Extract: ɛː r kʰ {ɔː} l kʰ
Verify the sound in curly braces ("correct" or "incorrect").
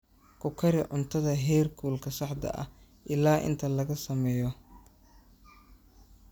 incorrect